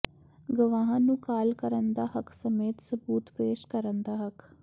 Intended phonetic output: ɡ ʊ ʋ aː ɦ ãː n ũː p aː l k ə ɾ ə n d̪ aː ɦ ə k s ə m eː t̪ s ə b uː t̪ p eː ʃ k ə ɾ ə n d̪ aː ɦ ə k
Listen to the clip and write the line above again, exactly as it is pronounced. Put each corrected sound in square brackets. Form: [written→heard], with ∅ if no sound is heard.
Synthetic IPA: ɡ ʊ ʋ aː ɦ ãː n ũː [p→k] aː l k ə ɾ ə n d̪ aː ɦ ə k s ə m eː t̪ s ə b uː t̪ p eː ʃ k ə ɾ ə n d̪ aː ɦ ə k